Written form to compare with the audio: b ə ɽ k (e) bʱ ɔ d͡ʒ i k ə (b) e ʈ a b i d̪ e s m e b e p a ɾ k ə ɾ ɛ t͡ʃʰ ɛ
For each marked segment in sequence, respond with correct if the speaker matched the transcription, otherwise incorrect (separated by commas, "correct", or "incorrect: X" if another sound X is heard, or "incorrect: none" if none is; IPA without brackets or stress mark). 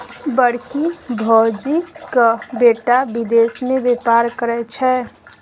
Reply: incorrect: i, correct